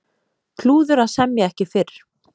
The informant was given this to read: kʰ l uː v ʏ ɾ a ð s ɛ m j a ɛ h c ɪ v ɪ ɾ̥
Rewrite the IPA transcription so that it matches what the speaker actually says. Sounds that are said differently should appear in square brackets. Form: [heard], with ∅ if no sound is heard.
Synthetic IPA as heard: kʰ l uː [ð] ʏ ɾ a ð s ɛ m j a ɛ h c ɪ [f] ɪ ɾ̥